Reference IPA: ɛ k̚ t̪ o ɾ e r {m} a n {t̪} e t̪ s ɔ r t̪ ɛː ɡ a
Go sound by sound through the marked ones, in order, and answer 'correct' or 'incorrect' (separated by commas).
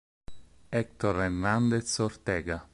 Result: incorrect, incorrect